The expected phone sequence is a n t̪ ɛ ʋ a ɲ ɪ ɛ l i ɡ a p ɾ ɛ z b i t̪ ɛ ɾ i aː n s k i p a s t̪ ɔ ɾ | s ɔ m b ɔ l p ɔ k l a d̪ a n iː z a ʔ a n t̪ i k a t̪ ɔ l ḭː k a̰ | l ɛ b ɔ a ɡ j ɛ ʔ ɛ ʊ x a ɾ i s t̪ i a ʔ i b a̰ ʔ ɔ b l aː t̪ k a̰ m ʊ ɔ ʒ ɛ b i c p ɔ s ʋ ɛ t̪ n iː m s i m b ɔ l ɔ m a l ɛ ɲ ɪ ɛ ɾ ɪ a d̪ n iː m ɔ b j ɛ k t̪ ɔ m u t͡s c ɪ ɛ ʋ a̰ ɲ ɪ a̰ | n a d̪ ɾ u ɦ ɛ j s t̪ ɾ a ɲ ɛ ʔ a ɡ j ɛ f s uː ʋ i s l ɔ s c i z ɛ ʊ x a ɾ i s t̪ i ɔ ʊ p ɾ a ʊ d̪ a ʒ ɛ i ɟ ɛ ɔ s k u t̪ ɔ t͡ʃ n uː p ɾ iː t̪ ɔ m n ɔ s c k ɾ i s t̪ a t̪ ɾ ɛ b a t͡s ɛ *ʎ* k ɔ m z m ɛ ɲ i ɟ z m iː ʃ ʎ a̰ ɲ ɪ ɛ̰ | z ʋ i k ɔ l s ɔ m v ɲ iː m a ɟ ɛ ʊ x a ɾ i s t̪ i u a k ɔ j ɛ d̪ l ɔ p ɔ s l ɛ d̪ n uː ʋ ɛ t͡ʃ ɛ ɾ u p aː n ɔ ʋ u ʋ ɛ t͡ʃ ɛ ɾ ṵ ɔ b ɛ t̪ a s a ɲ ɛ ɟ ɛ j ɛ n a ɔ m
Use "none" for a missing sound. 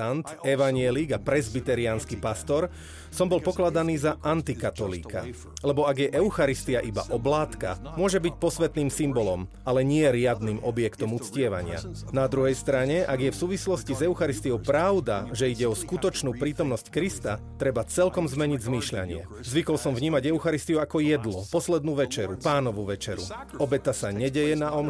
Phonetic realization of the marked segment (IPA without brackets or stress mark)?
l